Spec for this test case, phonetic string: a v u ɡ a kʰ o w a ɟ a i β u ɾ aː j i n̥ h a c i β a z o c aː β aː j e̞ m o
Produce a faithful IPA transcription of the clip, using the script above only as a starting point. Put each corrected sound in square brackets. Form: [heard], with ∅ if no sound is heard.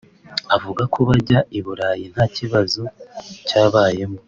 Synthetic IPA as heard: a v u ɡ a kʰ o [β] a ɟ a i β u ɾ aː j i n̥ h a c i β a z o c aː β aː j e̞ m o